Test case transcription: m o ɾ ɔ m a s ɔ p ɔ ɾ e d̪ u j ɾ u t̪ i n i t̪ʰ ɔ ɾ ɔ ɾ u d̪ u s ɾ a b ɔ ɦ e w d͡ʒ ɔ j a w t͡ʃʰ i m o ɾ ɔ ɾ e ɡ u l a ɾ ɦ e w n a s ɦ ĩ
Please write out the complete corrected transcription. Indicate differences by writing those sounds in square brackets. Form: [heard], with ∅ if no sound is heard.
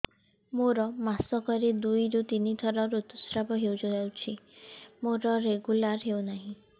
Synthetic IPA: m o ɾ ɔ m a s ɔ [k] ɔ ɾ e d̪ u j ɾ u t̪ i n i t̪ʰ ɔ ɾ ɔ ɾ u [t̪] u s ɾ a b ɔ ɦ e w d͡ʒ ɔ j a w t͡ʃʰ i m o ɾ ɔ ɾ e ɡ u l a ɾ ɦ e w n a [∅] ɦ ĩ